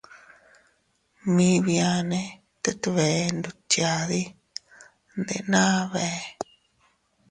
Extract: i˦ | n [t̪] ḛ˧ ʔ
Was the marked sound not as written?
yes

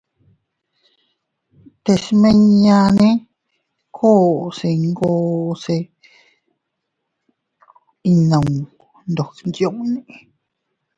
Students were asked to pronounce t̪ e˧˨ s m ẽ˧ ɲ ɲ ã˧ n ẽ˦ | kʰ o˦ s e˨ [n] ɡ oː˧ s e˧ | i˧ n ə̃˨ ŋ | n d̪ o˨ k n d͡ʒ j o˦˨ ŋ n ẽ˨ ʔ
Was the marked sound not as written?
yes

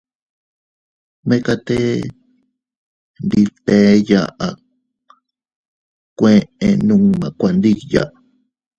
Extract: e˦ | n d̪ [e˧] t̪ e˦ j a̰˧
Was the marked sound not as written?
yes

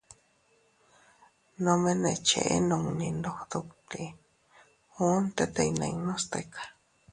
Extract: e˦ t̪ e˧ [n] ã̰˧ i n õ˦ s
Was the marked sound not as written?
no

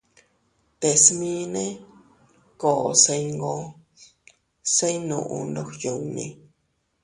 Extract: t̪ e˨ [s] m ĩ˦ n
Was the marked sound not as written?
no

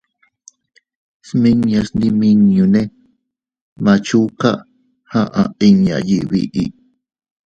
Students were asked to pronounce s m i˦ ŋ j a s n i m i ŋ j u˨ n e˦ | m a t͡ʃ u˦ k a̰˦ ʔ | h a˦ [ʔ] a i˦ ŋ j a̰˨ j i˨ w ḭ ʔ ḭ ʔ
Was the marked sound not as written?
no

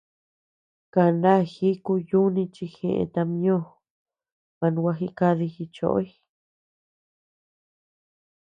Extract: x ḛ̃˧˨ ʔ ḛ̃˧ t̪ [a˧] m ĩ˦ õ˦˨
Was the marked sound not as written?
no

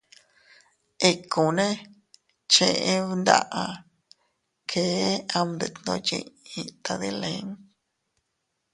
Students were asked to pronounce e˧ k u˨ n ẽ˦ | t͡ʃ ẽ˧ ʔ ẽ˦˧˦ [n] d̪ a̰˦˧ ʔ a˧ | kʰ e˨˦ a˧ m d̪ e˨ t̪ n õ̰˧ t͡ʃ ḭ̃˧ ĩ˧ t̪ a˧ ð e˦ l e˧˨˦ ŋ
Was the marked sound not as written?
no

